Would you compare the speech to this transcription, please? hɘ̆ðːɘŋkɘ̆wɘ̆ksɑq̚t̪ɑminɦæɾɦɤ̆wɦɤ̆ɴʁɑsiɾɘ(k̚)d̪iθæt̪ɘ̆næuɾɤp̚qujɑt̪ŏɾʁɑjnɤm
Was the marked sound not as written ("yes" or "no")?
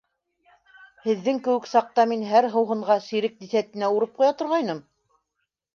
no